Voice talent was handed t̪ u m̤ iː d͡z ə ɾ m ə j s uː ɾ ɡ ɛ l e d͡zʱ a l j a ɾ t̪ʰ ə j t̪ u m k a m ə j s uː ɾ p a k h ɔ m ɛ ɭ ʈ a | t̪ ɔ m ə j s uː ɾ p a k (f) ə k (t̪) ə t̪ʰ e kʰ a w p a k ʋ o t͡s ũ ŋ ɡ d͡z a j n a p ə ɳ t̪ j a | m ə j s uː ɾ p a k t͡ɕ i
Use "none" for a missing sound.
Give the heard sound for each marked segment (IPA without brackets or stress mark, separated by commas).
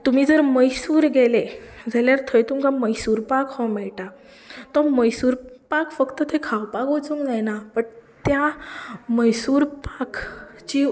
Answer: f, t̪